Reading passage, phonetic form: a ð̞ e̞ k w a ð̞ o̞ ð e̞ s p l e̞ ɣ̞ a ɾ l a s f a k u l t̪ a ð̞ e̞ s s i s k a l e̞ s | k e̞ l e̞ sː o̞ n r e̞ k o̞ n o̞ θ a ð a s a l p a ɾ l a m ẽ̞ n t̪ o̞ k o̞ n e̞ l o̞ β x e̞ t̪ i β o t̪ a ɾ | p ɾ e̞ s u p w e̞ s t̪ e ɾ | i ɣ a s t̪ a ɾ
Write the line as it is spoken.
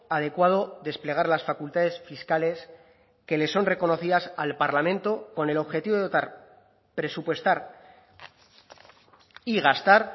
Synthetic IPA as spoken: a ð̞ e̞ k w a ð̞ o̞ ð e̞ s p l e̞ ɣ̞ a ɾ l a s f a k u l t̪ a ð̞ e̞ s f i s k a l e̞ s | k e̞ l e̞ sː o̞ n r e̞ k o̞ n o̞ θ i ð a s a l p a ɾ l a m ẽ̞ n t̪ o̞ k o̞ n e̞ l o̞ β x e̞ t̪ i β o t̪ a ɾ | p ɾ e̞ s u p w e̞ s t̪ a ɾ | i ɣ a s t̪ a ɾ